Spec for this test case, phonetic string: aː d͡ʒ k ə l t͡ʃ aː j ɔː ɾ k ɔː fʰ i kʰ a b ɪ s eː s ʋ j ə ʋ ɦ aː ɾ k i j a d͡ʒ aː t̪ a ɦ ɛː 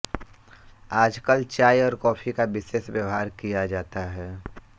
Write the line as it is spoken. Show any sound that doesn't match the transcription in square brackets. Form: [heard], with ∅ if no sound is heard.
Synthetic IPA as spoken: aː d͡ʒ k ə l t͡ʃ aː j ɔː ɾ k ɔː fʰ i [k] a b ɪ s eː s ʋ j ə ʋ ɦ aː ɾ k i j a d͡ʒ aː t̪ a ɦ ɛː